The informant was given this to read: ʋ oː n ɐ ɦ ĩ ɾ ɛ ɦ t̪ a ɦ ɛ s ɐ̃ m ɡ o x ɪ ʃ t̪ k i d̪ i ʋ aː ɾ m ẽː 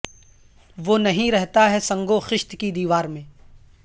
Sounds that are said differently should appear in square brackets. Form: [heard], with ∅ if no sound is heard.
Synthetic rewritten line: ʋ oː n ɐ ɦ ĩ ɾ ɛ ɦ t̪ a ɦ ɛ s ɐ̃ [ŋ] ɡ o x ɪ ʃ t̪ k i d̪ [iː] ʋ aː ɾ m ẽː

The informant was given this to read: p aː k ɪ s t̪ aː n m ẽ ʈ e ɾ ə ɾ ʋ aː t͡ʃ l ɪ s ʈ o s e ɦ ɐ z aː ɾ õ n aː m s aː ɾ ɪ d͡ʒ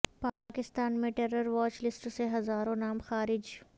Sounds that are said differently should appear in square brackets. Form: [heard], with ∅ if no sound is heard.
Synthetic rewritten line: p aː k ɪ s t̪ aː n m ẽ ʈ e ɾ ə ɾ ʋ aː t͡ʃ l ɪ s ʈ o s e ɦ ɐ z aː ɾ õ n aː m [x] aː ɾ ɪ d͡ʒ

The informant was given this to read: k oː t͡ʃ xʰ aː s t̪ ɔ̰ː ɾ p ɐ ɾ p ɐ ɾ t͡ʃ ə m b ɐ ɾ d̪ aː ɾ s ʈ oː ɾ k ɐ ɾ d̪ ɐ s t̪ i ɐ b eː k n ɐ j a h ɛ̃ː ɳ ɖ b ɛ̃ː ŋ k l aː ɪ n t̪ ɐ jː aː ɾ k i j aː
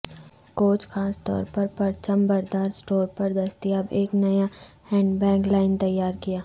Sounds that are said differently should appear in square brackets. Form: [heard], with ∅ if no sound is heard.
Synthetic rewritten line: k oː t͡ʃ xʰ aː s t̪ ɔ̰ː ɾ p ɐ ɾ p ɐ ɾ t͡ʃ ə m b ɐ ɾ d̪ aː ɾ s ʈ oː ɾ [p] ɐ ɾ d̪ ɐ s t̪ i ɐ b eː k n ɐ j a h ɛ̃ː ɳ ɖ b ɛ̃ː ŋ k l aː ɪ n t̪ ɐ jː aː ɾ k i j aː

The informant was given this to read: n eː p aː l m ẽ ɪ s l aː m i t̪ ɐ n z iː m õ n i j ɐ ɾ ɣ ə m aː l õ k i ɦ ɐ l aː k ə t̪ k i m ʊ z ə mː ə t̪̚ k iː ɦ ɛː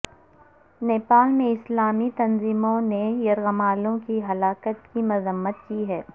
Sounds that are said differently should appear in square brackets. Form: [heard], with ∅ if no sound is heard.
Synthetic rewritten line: n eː p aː l m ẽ ɪ s l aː m i t̪ ɐ n z iː m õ n [e] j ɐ ɾ ɣ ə m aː l õ k i ɦ ɐ l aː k ə t̪ k i m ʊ z ə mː ə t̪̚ k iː ɦ ɛː

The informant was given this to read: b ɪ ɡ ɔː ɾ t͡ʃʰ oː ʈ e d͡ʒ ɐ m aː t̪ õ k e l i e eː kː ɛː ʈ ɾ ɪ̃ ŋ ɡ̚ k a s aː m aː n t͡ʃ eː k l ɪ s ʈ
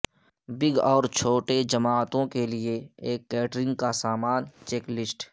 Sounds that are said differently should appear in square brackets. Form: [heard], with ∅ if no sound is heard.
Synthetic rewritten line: b ɪ ɡ ɔː ɾ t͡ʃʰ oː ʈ e d͡ʒ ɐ m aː t̪ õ k e l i e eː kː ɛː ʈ ɾ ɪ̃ ŋ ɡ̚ k a s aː m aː n t͡ʃ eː k l ɪ s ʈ

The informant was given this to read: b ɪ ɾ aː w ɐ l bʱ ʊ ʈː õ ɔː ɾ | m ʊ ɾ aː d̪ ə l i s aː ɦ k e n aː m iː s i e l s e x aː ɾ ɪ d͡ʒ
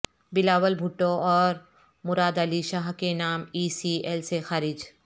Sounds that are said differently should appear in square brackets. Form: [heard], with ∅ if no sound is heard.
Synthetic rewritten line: b ɪ [l] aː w [ə] l bʱ ʊ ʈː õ ɔː ɾ | m ʊ ɾ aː d̪ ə l i [ʃ] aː ɦ k e n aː m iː s i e l s e x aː ɾ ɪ d͡ʒ

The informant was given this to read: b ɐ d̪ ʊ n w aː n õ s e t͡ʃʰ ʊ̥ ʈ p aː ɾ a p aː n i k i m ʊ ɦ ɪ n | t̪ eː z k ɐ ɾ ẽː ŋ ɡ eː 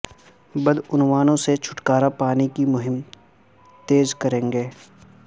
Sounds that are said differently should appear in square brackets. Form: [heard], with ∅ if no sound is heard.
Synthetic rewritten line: b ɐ d̪ ʊ n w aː n õ s e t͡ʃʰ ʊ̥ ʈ [k] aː ɾ a p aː n i k i m ʊ ɦ ɪ [m] | t̪ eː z k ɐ ɾ ẽː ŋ ɡ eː

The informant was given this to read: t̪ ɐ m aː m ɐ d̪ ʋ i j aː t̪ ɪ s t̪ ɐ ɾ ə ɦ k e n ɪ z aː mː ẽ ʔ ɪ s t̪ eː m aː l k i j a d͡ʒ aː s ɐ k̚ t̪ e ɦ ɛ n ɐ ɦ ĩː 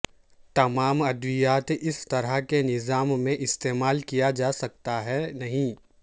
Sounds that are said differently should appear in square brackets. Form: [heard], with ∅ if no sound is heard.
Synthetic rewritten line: t̪ ɐ m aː m ɐ d̪ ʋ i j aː t̪ ɪ s t̪ ɐ ɾ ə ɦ k e n ɪ z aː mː ẽ ʔ ɪ s t̪ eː m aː l k i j a d͡ʒ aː s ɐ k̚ t̪ [a] ɦ ɛ n ɐ ɦ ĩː

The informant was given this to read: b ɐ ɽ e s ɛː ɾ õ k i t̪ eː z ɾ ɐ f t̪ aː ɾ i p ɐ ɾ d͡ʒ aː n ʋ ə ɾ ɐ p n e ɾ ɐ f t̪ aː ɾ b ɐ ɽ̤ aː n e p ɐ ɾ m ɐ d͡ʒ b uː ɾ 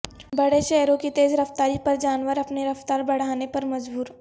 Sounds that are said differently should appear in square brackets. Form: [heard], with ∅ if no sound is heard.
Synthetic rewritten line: b ɐ ɽ e [ʃ] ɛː ɾ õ k i t̪ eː z ɾ ɐ f t̪ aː ɾ i p ɐ ɾ d͡ʒ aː n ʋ ə ɾ ɐ p n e ɾ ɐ f t̪ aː ɾ b ɐ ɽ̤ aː n e p ɐ ɾ m ɐ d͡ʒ b uː ɾ

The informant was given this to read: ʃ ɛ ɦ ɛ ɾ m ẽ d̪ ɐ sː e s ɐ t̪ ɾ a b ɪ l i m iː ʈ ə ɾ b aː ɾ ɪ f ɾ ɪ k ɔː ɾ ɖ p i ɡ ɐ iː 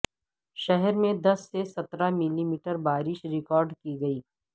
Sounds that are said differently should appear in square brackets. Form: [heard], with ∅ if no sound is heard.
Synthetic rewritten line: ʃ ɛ ɦ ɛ ɾ m ẽ d̪ ɐ sː e s ɐ t̪ ɾ a [m] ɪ l i m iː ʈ ə ɾ b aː ɾ ɪ [ʃ] ɾ ɪ k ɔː ɾ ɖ [k] i ɡ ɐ iː

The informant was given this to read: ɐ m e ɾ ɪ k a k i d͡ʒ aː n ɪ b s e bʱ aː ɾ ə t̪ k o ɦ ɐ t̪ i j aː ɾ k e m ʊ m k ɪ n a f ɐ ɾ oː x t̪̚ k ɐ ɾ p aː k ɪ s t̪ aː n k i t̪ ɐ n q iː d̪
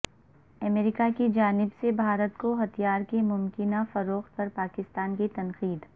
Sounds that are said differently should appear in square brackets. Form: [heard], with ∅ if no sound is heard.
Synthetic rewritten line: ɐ m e ɾ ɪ k a k i d͡ʒ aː n ɪ b s e bʱ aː ɾ ə t̪ k o ɦ ɐ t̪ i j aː ɾ k e m ʊ m k ɪ n a f ɐ ɾ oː x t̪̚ [p] ɐ ɾ p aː k ɪ s t̪ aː n k i t̪ ɐ n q iː d̪

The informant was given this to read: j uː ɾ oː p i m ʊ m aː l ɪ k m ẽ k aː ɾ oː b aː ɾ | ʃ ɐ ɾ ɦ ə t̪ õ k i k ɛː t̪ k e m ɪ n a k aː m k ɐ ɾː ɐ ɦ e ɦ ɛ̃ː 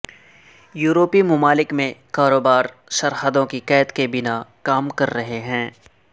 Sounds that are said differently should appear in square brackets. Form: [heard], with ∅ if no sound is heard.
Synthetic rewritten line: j uː ɾ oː p i m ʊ m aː l ɪ k m ẽ k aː ɾ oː b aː ɾ | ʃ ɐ ɾ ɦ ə [d̪] õ k i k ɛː t̪ k e [b] ɪ n a k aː m k ɐ ɾː ɐ ɦ e ɦ ɛ̃ː

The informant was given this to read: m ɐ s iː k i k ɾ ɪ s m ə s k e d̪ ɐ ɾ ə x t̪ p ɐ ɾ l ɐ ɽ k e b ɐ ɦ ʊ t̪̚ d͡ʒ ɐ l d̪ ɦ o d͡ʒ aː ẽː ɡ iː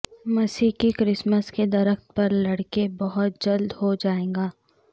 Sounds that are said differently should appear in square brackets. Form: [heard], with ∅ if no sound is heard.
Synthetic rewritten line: m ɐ s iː k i k ɾ ɪ s m ə s k e d̪ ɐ ɾ ə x t̪ p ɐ ɾ l ɐ ɽ k e b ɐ ɦ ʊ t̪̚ d͡ʒ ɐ l d̪ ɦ o d͡ʒ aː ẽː ɡ [aː]

